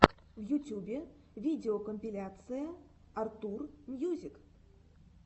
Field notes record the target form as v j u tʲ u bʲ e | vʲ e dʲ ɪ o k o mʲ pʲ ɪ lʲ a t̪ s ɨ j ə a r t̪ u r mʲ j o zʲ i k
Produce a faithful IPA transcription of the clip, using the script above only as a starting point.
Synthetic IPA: v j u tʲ u bʲ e | vʲ i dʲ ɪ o k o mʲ pʲ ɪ lʲ a t̪ s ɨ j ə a r t̪ u r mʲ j u zʲ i k